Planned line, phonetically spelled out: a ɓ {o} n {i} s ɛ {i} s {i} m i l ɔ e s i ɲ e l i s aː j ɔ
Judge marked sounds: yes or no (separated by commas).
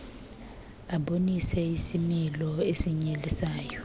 yes, yes, yes, yes